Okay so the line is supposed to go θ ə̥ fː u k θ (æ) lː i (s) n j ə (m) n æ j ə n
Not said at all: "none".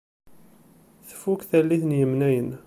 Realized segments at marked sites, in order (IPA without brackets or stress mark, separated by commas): æ, θ, m